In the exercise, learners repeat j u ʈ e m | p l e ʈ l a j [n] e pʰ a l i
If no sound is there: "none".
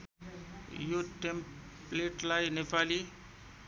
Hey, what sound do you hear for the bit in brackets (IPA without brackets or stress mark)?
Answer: n